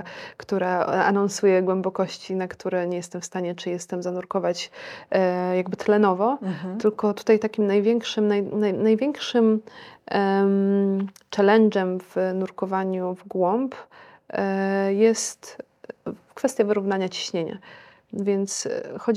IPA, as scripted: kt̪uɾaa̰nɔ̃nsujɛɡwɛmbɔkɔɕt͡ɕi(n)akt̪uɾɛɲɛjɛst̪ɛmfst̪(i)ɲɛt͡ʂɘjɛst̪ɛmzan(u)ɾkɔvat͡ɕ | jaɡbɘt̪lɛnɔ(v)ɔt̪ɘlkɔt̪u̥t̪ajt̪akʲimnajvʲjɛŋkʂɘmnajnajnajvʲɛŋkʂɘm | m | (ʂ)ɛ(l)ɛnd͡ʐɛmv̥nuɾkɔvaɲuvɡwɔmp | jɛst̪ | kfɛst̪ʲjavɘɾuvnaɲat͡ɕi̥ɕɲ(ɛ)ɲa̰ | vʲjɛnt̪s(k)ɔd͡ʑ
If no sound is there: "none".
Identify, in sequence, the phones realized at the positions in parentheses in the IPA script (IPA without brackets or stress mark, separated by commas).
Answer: n, a, u, v, t͡ʂ, l, e, x